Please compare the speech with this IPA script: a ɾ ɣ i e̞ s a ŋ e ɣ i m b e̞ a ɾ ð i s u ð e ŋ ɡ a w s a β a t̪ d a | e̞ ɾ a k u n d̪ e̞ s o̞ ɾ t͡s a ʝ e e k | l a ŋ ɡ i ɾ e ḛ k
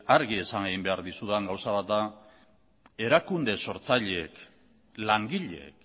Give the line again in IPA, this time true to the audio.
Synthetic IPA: a ɾ ɣ i e̞ s a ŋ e ɣ i m b e̞ a ɾ ð i s u ð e ŋ ɡ a w s a β a t̪ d a | e̞ ɾ a k u n d̪ e̞ s o̞ ɾ t͡s a ʎ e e k | l a ŋ ɡ i ʎ e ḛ k